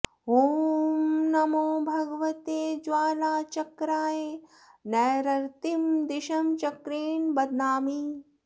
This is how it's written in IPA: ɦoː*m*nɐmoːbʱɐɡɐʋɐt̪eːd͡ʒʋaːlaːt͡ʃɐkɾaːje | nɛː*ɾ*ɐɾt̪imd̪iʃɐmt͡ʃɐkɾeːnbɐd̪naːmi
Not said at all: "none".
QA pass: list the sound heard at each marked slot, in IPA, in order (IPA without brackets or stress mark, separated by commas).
m, ɾ